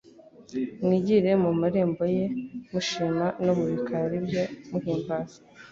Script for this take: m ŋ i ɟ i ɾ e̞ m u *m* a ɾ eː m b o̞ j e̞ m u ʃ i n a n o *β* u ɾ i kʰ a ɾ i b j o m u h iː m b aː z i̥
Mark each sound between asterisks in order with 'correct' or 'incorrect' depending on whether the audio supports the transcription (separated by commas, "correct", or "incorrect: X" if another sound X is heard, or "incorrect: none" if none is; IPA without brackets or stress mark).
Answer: correct, correct